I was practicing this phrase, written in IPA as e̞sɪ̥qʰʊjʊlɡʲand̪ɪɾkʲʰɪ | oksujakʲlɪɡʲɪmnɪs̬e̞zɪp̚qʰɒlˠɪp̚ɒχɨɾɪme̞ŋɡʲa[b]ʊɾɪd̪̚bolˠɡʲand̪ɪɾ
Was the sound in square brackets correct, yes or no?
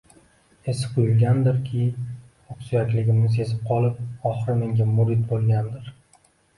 no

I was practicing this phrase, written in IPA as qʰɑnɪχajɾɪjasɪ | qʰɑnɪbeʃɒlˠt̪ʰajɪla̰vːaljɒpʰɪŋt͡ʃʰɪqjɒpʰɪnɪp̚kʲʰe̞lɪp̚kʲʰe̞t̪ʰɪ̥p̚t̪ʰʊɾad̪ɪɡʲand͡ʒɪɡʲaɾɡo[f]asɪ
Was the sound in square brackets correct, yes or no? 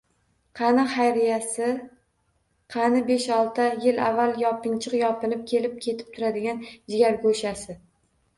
no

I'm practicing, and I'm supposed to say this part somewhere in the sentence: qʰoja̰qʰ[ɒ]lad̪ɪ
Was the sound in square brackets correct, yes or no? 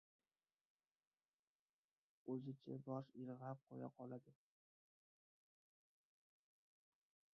yes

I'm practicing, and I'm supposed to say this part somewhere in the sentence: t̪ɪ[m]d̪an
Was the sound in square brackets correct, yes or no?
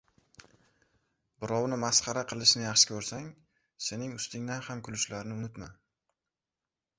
no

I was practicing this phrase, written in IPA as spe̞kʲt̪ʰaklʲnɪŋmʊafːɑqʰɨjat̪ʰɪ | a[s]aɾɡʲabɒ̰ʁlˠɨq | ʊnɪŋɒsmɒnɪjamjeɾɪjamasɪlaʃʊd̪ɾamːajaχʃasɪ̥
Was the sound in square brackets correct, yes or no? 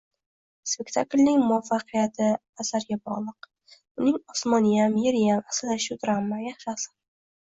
yes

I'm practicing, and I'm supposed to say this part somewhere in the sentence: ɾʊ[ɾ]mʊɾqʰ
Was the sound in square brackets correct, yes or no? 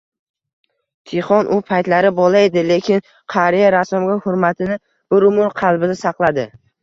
no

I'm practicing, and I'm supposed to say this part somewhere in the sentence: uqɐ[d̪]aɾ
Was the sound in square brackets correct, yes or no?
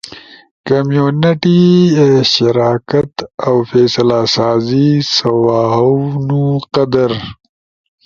yes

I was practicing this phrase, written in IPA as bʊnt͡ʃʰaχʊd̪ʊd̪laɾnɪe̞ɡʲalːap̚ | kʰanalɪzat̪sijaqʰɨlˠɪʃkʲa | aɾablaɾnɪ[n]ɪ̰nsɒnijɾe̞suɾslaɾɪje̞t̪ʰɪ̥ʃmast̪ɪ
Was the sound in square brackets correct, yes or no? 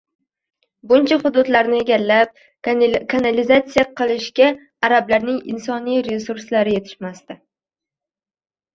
no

